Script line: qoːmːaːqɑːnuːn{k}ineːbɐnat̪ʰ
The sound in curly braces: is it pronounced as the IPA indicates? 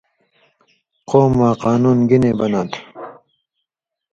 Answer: no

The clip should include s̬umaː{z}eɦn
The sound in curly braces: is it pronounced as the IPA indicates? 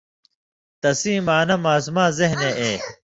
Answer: yes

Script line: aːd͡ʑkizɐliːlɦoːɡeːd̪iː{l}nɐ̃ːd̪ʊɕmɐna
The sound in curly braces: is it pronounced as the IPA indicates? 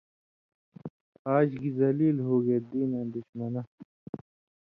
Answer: no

